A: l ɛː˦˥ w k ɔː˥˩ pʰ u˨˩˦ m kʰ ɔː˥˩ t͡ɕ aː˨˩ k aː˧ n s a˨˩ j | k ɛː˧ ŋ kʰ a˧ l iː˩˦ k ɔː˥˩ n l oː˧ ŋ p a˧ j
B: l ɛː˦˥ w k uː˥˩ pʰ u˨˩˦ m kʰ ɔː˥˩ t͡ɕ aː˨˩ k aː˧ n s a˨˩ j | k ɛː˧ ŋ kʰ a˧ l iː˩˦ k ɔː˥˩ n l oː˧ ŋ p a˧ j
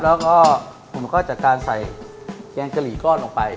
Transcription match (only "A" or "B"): A